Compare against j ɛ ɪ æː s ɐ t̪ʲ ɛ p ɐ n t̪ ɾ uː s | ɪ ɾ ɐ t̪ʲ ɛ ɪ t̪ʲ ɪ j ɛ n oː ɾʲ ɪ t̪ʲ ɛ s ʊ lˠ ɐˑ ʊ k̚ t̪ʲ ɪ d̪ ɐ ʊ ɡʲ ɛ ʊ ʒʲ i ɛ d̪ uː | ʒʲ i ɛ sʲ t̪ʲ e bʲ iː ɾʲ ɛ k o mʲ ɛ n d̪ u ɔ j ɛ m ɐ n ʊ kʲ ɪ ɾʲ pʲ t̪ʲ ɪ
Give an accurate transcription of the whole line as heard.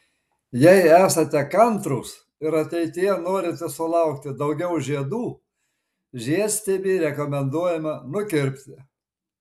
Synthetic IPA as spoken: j ɛ ɪ æː s ɐ t̪ʲ ɛ k ɐ n t̪ ɾ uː s | ɪ ɾ ɐ t̪ʲ ɛ ɪ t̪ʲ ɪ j ɛ n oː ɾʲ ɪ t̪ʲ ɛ s ʊ lˠ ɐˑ ʊ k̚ t̪ʲ ɪ d̪ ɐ ʊ ɡʲ ɛ ʊ ʒʲ i ɛ d̪ uː | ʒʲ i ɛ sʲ t̪ʲ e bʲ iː ɾʲ ɛ k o mʲ ɛ n d̪ u ɔ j ɛ m ɐ n ʊ kʲ ɪ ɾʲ pʲ t̪ʲ ɪ